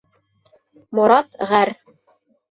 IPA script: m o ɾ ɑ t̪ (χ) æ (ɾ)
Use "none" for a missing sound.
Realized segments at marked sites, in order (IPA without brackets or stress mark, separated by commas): ʁ, ɾ